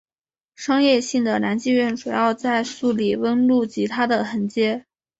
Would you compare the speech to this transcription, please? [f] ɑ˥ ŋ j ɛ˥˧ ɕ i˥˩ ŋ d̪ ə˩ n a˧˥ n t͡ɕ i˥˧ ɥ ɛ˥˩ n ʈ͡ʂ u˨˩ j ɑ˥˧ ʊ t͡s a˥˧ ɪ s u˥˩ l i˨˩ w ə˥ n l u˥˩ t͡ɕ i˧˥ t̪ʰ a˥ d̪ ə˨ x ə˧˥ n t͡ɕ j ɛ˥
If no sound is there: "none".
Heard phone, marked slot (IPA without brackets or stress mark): ʂ